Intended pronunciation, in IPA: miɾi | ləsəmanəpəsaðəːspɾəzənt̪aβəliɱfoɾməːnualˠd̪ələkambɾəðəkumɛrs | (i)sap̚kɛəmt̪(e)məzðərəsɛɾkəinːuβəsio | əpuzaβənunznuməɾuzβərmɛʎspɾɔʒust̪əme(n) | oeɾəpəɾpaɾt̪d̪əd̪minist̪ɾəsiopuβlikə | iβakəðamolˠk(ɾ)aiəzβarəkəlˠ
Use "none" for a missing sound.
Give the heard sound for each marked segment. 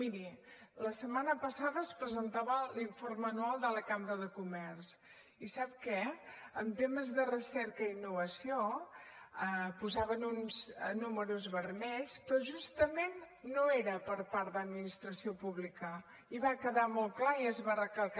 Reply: i, e, nː, l

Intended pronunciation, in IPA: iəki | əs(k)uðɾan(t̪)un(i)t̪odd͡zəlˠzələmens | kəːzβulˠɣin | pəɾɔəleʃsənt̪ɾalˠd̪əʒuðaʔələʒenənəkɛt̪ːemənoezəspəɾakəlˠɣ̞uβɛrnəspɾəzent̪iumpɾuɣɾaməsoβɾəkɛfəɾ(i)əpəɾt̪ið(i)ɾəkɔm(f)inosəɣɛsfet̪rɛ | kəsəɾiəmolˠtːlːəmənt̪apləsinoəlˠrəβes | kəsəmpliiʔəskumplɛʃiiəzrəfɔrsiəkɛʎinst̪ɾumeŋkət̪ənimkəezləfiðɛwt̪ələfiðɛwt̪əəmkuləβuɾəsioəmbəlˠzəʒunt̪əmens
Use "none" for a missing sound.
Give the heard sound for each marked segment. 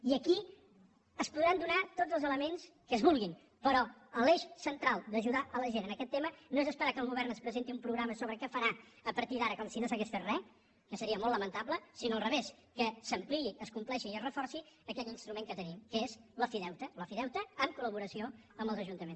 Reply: p, d̪, a, a, a, s

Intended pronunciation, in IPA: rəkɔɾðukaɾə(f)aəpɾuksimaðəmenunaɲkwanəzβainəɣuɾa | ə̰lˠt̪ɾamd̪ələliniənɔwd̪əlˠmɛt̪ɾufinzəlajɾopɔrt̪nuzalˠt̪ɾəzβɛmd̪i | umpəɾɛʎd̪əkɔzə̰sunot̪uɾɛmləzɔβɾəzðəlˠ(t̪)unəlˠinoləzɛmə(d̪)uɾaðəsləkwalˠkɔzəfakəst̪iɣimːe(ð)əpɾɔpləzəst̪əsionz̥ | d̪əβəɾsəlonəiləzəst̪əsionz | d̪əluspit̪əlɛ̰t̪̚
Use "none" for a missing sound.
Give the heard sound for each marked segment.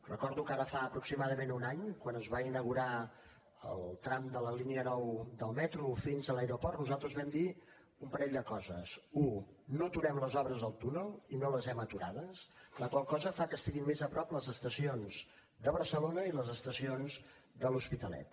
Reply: f, t̪, t̪, z

